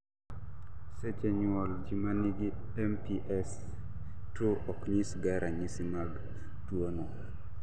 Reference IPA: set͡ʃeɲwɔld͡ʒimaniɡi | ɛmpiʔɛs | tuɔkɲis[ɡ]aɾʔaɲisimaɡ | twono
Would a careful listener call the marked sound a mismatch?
no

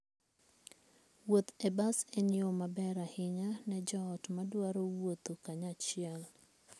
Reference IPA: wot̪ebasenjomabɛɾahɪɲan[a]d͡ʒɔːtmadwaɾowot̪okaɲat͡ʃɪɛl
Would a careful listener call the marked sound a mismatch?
yes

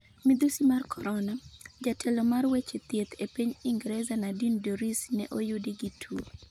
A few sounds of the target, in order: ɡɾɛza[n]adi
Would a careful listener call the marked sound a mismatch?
no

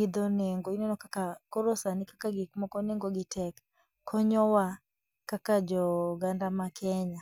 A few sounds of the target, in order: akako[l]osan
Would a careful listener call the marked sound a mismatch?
yes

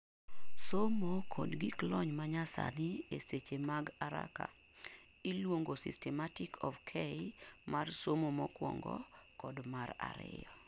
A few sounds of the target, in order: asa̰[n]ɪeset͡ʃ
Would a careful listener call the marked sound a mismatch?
no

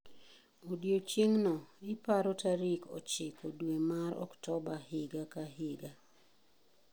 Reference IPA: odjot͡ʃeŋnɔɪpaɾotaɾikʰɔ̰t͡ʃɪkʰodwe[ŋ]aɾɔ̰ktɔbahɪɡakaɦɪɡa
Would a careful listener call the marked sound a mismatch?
yes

